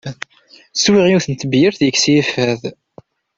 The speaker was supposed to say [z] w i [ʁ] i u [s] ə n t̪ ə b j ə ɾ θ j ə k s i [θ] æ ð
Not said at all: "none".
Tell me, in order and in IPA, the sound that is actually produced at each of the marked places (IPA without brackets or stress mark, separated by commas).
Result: s, ʁ, θ, f